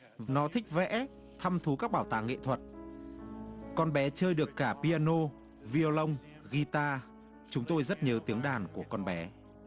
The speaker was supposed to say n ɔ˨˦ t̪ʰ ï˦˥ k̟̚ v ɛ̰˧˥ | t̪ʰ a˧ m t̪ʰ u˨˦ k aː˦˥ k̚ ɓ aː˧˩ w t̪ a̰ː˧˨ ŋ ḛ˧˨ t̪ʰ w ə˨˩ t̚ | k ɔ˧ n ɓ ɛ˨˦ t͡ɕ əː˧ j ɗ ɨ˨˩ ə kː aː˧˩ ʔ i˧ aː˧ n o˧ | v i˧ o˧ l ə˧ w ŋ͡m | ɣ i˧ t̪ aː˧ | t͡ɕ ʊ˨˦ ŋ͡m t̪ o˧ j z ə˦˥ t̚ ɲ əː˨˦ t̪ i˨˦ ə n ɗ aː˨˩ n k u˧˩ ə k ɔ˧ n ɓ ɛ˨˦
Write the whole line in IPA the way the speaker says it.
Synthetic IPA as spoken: n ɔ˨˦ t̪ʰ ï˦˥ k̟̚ v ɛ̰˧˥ | t̪ʰ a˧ m t̪ʰ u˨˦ k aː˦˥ k̚ ɓ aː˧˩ w t̪ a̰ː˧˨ ŋ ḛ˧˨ t̪ʰ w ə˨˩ t̚ | k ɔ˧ n ɓ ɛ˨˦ t͡ɕ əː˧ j ɗ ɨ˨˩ ə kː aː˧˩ p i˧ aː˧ n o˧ | v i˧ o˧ l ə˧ w ŋ͡m | ɣ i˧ t̪ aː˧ | t͡ɕ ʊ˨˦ ŋ͡m t̪ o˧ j z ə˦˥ t̚ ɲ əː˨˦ t̪ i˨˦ ə ŋ ɗ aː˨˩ n k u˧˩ ə k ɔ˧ n ɓ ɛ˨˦